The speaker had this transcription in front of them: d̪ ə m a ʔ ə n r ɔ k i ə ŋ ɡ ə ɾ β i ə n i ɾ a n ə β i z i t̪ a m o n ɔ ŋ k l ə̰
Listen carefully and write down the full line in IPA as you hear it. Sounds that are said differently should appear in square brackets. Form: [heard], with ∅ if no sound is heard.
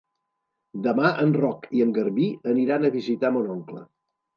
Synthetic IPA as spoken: d̪ ə m a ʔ ə n r ɔ k i ə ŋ ɡ ə ɾ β i ə n i ɾ a n ə β i z i t̪ a m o n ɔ ŋ k l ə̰